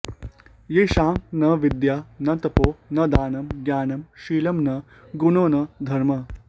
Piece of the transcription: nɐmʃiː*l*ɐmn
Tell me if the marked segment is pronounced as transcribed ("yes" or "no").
yes